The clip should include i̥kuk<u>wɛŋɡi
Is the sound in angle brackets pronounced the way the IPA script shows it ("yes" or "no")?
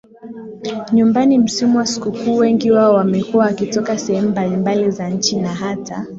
no